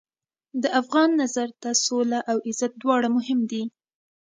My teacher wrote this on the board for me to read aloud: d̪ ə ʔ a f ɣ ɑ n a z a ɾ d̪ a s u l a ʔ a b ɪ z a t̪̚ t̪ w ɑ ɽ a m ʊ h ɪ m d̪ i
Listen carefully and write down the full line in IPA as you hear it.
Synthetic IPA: d̪ ə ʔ a f ɣ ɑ nː a z a ɾ t̪ a s o l a ʔ a w ɪ z a t̪̚ d̪ w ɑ ɽ a m ʊ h ɪ m d̪ i